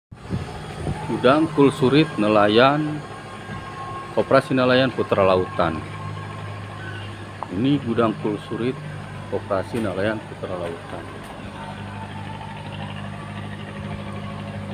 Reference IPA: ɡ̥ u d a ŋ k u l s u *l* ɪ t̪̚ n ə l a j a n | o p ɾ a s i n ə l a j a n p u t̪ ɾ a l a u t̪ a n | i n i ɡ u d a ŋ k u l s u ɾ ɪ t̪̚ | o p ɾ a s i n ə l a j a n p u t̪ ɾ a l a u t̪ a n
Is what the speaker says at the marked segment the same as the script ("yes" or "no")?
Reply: no